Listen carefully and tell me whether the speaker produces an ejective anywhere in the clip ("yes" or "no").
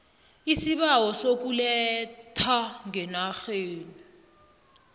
no